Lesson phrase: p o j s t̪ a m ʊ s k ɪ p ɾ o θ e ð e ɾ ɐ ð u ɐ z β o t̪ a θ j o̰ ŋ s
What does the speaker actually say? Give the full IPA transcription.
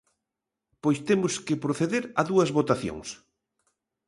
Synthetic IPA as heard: p o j s t̪ e m ʊ s k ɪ p ɾ o θ e ð e ɾ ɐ ð u ɐ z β o t̪ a θ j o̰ ŋ s